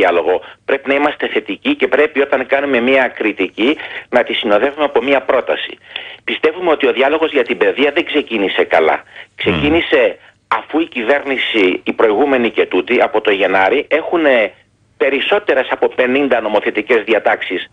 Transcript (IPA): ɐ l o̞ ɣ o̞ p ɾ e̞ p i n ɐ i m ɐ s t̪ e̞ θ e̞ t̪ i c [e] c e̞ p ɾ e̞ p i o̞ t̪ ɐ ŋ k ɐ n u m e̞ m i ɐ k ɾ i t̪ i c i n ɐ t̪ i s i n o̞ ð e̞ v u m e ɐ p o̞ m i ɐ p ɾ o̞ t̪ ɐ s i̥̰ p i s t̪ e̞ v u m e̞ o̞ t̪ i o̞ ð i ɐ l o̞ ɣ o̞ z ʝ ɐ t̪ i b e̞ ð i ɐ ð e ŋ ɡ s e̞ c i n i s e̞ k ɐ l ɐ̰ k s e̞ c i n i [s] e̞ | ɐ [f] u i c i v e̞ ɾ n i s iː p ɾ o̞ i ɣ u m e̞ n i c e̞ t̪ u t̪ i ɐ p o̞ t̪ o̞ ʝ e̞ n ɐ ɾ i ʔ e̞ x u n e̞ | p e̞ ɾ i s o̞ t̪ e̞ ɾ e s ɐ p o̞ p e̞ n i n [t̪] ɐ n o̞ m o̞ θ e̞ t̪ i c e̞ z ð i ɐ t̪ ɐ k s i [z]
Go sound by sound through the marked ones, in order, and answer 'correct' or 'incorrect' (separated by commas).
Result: incorrect, correct, correct, incorrect, incorrect